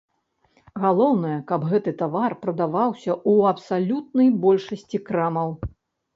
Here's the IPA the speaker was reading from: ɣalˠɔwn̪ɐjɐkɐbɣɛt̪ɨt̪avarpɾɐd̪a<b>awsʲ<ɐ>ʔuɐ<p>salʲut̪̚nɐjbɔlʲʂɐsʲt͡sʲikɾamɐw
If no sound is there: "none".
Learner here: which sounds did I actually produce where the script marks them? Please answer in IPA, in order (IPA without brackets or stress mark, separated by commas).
v, ɐ, p